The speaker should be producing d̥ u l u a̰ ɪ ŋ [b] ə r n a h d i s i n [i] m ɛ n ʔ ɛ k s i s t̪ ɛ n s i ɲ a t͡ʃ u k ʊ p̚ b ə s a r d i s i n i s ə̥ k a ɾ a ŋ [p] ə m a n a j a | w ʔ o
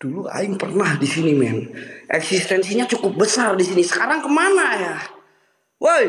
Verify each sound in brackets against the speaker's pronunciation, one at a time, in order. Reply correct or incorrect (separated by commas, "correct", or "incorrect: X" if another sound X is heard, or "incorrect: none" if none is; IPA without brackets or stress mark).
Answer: incorrect: p, correct, incorrect: k